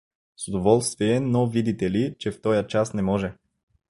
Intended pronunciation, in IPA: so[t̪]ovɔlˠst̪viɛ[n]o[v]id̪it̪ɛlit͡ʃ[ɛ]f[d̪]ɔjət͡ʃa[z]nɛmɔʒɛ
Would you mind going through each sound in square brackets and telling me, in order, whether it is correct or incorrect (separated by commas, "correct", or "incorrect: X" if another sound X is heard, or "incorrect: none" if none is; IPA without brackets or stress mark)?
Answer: incorrect: d̪, correct, correct, correct, incorrect: t̪, incorrect: s